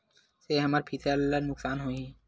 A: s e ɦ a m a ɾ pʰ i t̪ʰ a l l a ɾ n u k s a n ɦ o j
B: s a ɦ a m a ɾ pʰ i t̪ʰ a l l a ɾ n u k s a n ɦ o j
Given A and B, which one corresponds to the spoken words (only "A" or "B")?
A